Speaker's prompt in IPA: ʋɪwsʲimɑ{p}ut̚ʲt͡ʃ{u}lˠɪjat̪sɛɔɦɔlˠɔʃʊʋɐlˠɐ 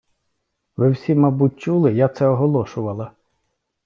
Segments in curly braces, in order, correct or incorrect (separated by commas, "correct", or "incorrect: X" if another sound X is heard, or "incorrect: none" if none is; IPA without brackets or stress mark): incorrect: b, correct